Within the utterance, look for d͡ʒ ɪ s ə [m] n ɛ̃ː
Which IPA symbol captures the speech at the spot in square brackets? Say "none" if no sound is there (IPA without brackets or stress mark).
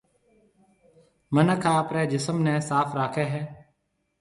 m